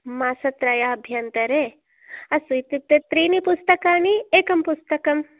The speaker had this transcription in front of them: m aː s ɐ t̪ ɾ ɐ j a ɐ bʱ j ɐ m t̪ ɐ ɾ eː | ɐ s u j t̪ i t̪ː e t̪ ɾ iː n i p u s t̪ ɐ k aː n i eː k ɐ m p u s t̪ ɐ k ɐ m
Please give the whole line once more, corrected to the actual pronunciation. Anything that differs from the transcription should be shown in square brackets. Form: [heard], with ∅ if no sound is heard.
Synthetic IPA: m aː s ɐ t̪ ɾ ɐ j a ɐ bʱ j ɐ [n] t̪ ɐ ɾ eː | ɐ s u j t̪ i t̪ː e t̪ ɾ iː n i p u s t̪ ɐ k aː n i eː k ɐ m p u s t̪ ɐ k ɐ m

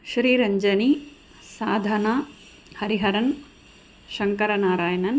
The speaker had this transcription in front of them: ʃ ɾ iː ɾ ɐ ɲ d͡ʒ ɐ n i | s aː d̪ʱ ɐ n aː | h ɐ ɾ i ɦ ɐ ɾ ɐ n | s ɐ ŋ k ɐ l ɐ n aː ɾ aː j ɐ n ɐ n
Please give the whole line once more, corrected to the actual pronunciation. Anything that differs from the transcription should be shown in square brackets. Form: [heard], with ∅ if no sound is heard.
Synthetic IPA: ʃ ɾ iː ɾ ɐ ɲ d͡ʒ ɐ n i | s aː d̪ʱ ɐ n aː | h ɐ ɾ i ɦ ɐ ɾ ɐ n | [ʃ] ɐ ŋ k ɐ [ɾ] ɐ n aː ɾ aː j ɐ n ɐ n

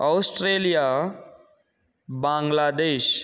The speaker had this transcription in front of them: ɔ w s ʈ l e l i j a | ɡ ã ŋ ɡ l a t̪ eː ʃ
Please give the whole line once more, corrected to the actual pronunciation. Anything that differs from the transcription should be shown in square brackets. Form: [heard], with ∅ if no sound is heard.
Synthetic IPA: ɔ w s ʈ [ɾ] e l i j a | [b] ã ŋ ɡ l a [d̪] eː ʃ

